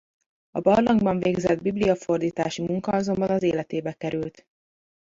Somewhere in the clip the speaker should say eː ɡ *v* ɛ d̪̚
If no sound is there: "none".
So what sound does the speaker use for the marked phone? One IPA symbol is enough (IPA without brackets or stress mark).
z